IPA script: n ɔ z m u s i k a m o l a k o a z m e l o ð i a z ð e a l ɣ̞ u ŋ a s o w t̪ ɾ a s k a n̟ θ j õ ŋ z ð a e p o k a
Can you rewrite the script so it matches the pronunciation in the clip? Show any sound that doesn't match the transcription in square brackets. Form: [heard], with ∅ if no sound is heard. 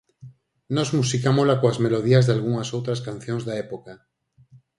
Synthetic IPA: n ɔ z m u s i k a m o l a k o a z m e l o ð i a z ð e a l ɣ̞ u ŋ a s o w t̪ ɾ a s k a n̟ θ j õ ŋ z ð a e p o k a

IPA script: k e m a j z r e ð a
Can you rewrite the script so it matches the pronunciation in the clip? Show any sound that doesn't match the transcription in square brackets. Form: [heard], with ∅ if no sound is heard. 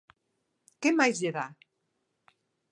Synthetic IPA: k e m a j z [ʎ] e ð a

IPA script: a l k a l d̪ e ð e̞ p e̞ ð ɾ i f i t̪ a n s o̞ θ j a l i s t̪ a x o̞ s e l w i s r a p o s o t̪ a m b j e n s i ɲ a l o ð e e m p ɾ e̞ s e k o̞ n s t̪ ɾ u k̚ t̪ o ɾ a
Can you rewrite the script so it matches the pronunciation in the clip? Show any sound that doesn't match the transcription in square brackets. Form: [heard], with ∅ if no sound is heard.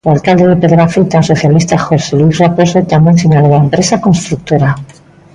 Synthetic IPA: a l k a l d̪ e ð e̞ p e̞ ð ɾ [a] f i t̪ a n s o̞ θ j a l i s t̪ a x o̞ s e l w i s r a p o s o t̪ a m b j e n s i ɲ a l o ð [a] e m p ɾ e̞ s [a] k o̞ n s t̪ ɾ u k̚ t̪ o ɾ a

